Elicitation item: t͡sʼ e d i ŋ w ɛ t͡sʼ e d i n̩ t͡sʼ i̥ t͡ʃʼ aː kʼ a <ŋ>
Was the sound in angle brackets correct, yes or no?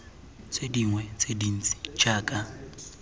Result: no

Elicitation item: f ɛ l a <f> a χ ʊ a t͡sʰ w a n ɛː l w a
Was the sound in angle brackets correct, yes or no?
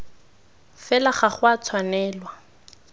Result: no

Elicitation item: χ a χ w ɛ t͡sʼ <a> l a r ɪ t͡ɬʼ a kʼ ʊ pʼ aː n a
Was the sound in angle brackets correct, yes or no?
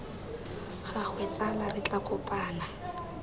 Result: yes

